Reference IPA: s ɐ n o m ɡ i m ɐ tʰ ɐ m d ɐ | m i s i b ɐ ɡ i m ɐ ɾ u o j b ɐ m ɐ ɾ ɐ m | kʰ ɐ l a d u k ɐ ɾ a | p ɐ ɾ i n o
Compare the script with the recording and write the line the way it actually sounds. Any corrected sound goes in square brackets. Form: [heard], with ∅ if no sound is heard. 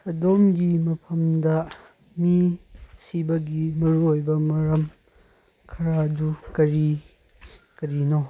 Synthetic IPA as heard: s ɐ [d] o m ɡ i m ɐ [pʰ] ɐ m d ɐ | m i s i b ɐ ɡ i m ɐ ɾ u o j b ɐ m ɐ ɾ ɐ m | kʰ ɐ [ɾ] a d u k ɐ ɾ [i] | [k] ɐ ɾ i n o

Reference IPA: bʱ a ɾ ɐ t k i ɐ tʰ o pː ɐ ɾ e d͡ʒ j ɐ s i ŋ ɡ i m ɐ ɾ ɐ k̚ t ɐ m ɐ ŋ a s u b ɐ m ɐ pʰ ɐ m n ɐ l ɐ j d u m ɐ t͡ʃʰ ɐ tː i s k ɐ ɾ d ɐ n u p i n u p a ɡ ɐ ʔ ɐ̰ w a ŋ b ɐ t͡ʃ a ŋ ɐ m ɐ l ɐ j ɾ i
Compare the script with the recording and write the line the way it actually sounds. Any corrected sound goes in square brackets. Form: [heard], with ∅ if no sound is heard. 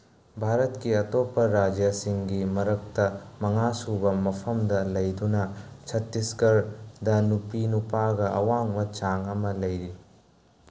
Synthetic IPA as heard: bʱ a ɾ ɐ t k i ɐ [t] o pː ɐ ɾ [a] d͡ʒ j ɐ s i ŋ ɡ i m ɐ ɾ ɐ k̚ t ɐ m ɐ ŋ a s u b ɐ m ɐ pʰ ɐ m [d] ɐ l ɐ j d u [n] ɐ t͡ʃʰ ɐ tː i s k ɐ ɾ d ɐ n u p i n u p a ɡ ɐ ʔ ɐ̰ w a ŋ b ɐ t͡ʃ a ŋ ɐ m ɐ l ɐ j ɾ i

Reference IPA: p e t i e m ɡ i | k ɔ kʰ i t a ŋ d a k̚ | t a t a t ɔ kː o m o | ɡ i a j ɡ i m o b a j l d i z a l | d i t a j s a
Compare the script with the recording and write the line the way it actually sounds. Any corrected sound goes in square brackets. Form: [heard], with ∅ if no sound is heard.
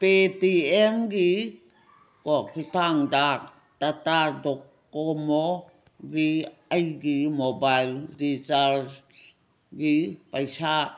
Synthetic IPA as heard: p e t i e m ɡ i | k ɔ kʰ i t a ŋ d a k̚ | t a t a [d] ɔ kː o m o | ɡ i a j ɡ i m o b a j l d i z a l | [ɡ] i [p] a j s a

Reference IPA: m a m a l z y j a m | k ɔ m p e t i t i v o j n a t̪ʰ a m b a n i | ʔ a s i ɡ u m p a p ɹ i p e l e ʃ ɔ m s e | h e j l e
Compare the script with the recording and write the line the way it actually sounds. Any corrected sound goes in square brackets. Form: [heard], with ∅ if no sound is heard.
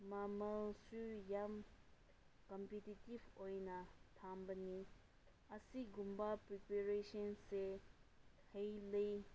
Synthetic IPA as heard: m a m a l [s] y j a m | k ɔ m p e t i t i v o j n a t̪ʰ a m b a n i | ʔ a s i ɡ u m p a p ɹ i p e [ɹ] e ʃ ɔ [n] s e | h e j l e

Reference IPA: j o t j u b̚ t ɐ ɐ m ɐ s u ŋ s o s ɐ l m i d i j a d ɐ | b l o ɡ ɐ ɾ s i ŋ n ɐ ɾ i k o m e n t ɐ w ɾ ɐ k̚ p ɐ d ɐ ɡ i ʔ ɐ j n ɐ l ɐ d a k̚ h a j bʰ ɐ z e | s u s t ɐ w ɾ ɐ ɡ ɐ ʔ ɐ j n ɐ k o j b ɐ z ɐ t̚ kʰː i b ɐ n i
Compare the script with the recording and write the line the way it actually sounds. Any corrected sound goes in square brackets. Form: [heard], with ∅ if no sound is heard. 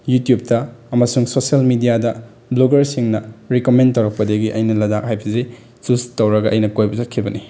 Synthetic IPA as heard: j [u] t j u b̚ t ɐ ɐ m ɐ s u ŋ s o s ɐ l m i d i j a d ɐ | b l o ɡ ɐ ɾ s i ŋ n ɐ ɾ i k o m e n t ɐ w ɾ ɐ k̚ p ɐ d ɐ ɡ i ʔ ɐ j n ɐ l ɐ d a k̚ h a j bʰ ɐ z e | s u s t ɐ w ɾ ɐ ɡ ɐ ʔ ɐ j n ɐ k o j b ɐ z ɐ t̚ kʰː i b ɐ n i

